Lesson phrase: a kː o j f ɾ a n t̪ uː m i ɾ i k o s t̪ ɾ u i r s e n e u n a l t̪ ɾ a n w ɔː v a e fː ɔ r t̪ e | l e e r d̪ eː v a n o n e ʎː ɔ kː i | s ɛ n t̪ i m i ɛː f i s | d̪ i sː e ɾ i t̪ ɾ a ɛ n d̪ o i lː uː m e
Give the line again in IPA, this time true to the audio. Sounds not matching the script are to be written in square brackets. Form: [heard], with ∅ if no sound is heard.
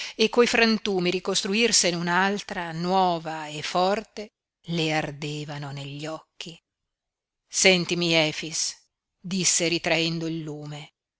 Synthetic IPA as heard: [e] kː o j f ɾ a n t̪ uː m i ɾ i k o s t̪ ɾ u i r s e n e u n a l t̪ ɾ a n w ɔː v a e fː ɔ r t̪ e | l e [a] r d̪ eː v a n o n e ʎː ɔ kː i | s ɛ n t̪ i m i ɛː f i s | d̪ i sː e ɾ i t̪ ɾ a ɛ n d̪ o i lː uː m e